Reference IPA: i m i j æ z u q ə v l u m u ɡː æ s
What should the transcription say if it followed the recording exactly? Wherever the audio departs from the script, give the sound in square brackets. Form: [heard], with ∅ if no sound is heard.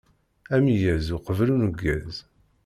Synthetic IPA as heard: [æ] m i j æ z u q ə v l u [n] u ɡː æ [z]